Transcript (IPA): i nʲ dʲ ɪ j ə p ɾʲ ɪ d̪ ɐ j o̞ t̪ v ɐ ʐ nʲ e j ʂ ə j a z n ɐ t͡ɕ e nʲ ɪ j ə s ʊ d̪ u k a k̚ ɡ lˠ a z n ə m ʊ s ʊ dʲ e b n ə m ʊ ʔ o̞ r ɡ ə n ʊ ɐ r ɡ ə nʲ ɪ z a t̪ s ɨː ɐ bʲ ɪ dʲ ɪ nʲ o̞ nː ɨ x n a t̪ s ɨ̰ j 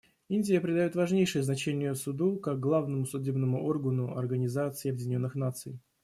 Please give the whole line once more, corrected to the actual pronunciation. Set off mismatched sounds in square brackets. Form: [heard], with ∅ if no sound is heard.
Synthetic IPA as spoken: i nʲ dʲ ɪ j ə p ɾʲ ɪ d̪ ɐ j o̞ t̪ v ɐ ʐ nʲ e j ʂ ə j [ə] z n ɐ t͡ɕ e nʲ ɪ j ə s ʊ d̪ u k a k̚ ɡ lˠ a [v] n ə m ʊ s ʊ dʲ e b n ə m ʊ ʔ o̞ r ɡ ə n ʊ ɐ r ɡ ə nʲ ɪ z a t̪ s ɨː ɐ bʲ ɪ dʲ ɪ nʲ o̞ nː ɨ x n a t̪ s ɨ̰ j